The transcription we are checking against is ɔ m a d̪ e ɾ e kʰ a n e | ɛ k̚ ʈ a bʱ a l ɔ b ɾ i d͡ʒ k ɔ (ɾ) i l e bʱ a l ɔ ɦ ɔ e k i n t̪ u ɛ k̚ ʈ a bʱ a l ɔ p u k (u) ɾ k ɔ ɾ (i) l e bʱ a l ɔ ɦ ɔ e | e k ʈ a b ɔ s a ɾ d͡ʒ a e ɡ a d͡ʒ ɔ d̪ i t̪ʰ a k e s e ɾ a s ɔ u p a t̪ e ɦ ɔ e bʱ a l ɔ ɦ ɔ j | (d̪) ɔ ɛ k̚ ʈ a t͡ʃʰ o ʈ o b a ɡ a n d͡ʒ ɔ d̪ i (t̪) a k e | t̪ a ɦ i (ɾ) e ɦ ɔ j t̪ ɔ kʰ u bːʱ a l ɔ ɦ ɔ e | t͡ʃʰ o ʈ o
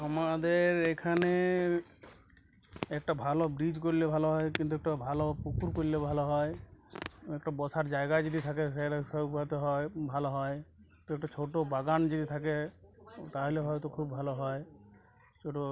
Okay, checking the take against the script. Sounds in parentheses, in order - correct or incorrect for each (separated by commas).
correct, correct, correct, incorrect, incorrect, incorrect